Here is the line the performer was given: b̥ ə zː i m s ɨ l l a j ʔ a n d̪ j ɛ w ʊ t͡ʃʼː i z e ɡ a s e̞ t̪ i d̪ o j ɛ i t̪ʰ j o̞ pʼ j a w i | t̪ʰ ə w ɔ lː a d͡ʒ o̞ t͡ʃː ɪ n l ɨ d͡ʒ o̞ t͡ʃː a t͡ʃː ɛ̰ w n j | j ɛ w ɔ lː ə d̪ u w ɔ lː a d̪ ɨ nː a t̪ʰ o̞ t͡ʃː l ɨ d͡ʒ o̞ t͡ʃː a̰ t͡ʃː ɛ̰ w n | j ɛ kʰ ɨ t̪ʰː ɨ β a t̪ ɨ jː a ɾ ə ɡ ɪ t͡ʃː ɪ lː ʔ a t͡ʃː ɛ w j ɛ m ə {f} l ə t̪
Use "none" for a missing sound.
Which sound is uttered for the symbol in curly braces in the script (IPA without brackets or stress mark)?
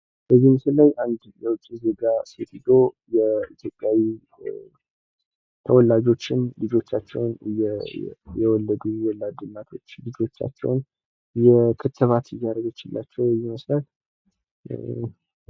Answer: s